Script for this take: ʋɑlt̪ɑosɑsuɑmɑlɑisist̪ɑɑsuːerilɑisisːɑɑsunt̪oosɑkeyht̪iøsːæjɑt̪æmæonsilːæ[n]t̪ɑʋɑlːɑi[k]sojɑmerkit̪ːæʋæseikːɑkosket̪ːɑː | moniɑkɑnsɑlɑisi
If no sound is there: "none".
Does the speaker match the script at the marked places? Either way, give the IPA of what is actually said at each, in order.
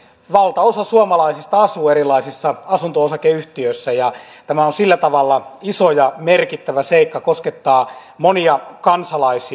none, none

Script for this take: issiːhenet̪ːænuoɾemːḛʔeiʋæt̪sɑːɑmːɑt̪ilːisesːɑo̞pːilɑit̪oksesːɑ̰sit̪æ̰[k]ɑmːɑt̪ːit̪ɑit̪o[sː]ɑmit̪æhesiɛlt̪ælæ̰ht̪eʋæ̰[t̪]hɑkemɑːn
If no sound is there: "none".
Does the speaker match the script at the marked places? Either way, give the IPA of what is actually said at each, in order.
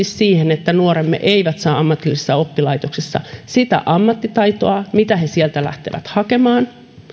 ʔ, none, t̪

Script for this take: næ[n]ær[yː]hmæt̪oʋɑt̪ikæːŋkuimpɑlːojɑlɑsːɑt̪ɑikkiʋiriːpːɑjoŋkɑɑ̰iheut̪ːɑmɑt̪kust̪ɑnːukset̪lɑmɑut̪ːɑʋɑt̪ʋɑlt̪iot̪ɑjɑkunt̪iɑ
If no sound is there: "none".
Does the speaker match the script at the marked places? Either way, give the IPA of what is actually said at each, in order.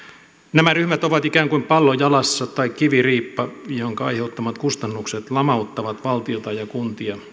m, y

